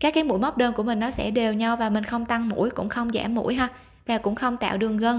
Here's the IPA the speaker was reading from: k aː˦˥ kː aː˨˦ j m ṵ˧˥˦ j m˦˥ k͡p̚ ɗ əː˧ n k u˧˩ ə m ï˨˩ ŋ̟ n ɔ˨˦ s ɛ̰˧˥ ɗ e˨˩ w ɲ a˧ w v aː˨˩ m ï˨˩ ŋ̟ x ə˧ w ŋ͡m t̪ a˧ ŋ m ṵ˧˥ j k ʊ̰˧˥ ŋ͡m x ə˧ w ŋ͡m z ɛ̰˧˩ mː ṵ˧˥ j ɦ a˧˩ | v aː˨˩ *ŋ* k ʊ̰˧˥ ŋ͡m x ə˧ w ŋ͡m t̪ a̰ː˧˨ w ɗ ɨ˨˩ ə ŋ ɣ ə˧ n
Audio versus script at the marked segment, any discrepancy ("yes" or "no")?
yes